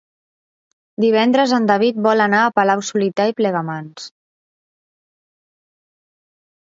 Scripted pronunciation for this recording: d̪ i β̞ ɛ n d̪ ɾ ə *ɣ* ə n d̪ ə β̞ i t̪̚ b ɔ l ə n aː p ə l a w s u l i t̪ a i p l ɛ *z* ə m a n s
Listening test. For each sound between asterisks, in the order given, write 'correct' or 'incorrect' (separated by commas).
incorrect, incorrect